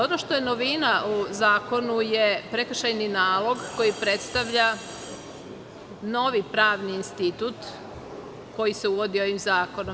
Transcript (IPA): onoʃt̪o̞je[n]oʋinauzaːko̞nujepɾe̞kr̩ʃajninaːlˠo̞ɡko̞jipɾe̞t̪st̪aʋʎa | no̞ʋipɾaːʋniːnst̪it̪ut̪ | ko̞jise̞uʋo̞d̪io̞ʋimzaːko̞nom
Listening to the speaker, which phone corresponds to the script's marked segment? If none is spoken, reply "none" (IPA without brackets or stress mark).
n